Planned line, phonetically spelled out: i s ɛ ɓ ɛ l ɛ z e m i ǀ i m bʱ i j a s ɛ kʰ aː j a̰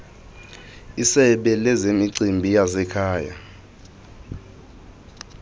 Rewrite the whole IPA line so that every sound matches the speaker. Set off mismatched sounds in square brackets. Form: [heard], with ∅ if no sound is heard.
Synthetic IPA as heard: i s ɛ ɓ ɛ l ɛ z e m i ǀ i m bʱ i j a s ɛ kʰ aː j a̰

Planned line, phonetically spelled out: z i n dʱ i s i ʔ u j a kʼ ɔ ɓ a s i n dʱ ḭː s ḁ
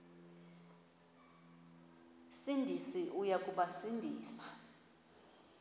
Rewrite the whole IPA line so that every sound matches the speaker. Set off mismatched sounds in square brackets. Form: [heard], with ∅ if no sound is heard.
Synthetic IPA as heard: [s] i n dʱ i s i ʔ u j a kʼ [u] ɓ a s i n dʱ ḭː s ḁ

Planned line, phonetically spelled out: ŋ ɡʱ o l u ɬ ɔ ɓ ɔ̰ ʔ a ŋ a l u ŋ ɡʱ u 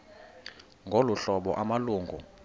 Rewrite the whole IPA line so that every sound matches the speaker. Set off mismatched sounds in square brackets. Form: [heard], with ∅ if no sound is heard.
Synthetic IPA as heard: ŋ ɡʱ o l u ɬ ɔ ɓ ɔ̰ ʔ a [m] a l [uː] ŋ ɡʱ u

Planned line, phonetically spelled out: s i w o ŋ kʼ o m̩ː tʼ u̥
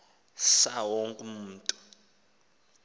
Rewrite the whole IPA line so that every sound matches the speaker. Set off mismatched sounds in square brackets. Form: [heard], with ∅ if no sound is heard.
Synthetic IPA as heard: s [a] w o ŋ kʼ [u] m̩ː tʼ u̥

